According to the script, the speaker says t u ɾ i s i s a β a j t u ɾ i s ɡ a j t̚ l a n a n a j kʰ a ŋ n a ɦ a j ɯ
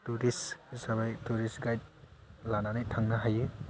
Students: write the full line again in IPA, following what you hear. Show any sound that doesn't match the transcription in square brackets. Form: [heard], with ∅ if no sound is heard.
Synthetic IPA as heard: t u ɾ i s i s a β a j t u ɾ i s ɡ a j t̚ l a n a n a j [tʰ] a ŋ n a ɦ a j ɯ